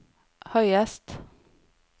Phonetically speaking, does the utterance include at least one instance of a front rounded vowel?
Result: yes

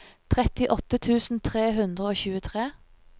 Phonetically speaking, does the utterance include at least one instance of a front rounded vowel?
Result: no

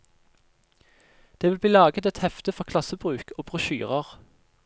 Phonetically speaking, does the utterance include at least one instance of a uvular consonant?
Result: yes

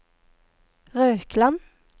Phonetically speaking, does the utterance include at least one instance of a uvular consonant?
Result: yes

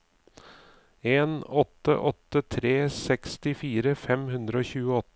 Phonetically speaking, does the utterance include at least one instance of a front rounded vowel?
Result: no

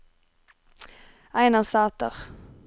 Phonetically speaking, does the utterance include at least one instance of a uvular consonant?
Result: yes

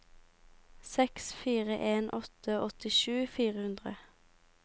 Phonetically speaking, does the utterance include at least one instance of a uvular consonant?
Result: yes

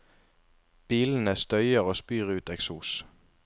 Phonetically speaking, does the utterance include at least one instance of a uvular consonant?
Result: yes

